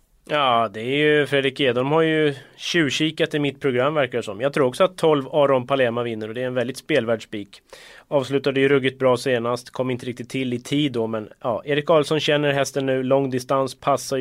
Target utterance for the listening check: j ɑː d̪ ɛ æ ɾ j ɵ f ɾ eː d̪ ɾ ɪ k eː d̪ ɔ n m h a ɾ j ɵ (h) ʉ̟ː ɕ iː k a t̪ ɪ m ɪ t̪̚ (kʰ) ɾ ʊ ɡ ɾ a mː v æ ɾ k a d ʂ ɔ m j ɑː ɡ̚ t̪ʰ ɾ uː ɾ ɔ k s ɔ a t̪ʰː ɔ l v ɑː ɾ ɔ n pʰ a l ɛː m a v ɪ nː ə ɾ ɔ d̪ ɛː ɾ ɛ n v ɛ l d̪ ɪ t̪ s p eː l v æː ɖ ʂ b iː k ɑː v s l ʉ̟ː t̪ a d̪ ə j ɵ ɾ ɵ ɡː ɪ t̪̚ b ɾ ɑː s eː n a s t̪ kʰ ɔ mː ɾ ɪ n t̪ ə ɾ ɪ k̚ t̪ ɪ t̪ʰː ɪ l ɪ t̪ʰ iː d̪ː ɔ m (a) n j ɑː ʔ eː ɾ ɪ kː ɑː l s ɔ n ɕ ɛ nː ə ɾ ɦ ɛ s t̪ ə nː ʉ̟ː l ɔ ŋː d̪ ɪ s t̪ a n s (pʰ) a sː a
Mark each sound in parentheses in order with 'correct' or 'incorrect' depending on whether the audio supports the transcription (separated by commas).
incorrect, incorrect, incorrect, correct